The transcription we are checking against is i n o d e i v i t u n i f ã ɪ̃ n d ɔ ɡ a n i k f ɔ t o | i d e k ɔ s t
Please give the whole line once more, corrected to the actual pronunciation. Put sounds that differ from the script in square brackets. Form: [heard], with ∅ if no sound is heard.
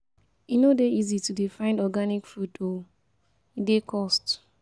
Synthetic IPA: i n o d e i [z] i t u [d] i f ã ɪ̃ n d ɔ ɡ a n i k f [u] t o | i d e k ɔ s t